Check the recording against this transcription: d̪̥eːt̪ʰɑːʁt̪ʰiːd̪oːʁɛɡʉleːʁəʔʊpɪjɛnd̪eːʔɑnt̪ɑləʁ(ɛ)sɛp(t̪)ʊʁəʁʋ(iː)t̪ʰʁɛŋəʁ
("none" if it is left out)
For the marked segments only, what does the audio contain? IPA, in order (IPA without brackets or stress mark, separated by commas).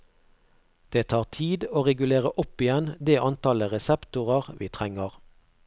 ɛ, t̪, iː